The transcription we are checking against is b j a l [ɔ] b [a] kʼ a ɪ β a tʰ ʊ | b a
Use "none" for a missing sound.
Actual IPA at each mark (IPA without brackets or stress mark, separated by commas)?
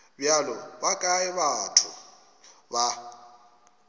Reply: ɔ, a